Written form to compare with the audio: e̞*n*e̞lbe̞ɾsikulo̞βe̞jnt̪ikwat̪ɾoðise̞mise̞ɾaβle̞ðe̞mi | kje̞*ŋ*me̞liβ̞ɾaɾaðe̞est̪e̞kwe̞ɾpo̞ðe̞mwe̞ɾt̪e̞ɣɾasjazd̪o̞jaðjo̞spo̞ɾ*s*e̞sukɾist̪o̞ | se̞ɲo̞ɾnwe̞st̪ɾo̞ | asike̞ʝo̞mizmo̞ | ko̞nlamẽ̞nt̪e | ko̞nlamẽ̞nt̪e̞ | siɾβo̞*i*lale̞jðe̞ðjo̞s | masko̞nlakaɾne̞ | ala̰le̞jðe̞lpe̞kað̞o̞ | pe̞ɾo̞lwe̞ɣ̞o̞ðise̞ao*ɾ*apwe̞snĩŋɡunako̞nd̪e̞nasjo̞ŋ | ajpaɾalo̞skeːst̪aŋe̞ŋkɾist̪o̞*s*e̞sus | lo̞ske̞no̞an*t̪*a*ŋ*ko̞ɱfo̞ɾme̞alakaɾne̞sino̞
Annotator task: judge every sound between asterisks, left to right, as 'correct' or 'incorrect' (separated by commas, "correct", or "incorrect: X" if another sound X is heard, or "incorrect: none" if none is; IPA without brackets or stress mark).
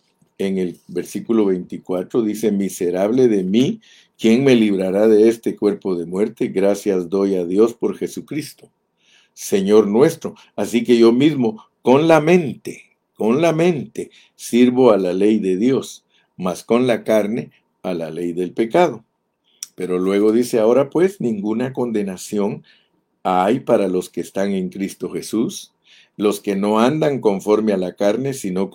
incorrect: ŋ, correct, incorrect: x, incorrect: a, correct, incorrect: x, incorrect: d̪, correct